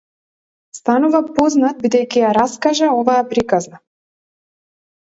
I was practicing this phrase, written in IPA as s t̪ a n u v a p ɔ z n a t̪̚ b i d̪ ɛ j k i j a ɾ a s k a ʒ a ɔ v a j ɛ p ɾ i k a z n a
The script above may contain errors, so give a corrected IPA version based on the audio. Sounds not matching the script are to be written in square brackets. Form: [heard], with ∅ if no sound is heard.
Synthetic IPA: s t̪ a n u v a p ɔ z n a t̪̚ b i d̪ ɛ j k i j a ɾ a s k a ʒ a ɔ v a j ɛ p ɾ i k a z n a